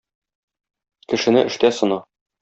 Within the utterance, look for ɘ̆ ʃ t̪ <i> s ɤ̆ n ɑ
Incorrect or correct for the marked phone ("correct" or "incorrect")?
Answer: incorrect